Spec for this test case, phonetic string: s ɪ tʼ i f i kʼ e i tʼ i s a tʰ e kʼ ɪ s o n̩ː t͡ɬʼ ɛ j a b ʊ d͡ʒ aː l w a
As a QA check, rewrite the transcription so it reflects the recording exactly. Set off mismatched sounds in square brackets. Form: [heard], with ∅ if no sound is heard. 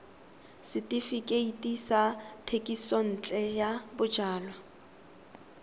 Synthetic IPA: s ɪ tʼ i f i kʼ e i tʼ i s a tʰ e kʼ [i] s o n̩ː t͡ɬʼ ɛ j a b ʊ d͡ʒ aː l w a